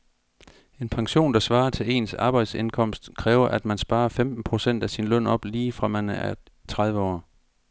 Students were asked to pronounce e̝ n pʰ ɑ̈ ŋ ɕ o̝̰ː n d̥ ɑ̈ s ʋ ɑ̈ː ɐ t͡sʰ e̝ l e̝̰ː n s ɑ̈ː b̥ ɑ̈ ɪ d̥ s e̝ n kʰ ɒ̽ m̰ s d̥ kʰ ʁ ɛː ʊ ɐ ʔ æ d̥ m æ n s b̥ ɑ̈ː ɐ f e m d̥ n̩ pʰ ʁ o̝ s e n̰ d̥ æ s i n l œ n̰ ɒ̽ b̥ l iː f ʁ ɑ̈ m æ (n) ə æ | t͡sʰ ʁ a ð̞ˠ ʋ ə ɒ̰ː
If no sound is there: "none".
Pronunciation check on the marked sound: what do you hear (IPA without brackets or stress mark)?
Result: n